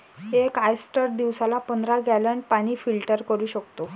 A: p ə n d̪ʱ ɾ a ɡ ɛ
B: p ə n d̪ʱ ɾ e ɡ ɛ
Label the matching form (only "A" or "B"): A